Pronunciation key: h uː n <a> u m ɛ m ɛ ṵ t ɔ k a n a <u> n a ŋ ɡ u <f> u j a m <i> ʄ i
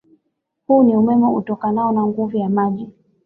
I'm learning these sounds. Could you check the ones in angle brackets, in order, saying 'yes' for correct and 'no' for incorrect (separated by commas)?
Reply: no, no, no, no